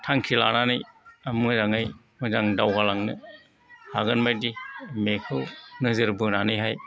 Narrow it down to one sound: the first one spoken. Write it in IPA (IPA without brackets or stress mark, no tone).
tʰ